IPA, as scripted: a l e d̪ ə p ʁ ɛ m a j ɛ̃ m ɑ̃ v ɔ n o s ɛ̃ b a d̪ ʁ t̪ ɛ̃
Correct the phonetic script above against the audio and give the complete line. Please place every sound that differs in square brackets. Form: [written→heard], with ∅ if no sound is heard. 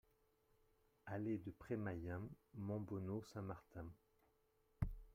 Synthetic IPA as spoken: a l e d̪ ə p [ʁ→χ] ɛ m a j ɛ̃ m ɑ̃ [v→b] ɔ n o s ɛ̃ [b→m] a [d̪→∅] ʁ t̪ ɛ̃